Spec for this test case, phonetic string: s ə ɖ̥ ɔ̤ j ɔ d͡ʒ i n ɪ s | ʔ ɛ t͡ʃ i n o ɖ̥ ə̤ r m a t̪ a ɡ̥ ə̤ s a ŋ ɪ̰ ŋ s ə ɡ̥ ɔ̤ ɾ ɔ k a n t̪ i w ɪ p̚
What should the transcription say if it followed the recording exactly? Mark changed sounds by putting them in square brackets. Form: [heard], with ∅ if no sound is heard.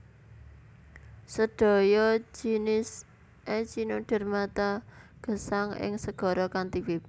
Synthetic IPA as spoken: s ə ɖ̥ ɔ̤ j ɔ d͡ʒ i n ɪ s | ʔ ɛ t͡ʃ i n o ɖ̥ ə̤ r m a t̪ a ɡ̥ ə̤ s a ŋ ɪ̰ ŋ s ə ɡ̥ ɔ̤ ɾ ɔ k a n t̪ i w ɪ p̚